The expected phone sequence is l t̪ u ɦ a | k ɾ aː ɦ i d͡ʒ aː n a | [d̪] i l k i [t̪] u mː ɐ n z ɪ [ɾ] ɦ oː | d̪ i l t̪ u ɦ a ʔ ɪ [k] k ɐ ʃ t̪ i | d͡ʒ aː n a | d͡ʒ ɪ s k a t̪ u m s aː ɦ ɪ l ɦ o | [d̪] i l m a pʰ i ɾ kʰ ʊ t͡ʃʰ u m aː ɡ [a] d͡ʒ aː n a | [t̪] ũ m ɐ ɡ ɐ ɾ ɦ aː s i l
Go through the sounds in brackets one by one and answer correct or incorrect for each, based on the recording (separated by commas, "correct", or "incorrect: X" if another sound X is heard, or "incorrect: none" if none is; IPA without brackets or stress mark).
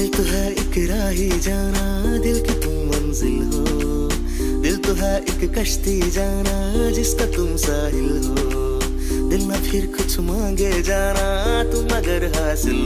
correct, correct, incorrect: l, correct, correct, incorrect: e, correct